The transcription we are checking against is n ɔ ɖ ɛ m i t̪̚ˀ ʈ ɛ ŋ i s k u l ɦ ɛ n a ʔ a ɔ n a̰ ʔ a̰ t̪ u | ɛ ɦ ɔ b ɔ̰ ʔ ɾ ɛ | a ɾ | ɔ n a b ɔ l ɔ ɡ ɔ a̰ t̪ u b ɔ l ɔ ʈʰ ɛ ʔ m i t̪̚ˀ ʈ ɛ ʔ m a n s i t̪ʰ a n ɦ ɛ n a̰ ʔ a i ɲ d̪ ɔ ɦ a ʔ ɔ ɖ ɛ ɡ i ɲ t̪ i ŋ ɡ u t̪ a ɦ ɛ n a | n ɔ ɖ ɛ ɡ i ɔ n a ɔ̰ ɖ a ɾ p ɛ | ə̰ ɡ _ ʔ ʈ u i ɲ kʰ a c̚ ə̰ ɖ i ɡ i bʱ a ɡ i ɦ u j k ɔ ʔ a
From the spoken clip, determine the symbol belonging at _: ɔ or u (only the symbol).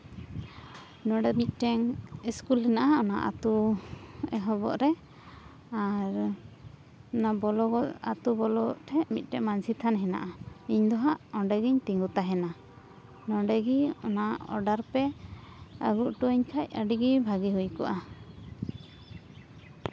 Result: u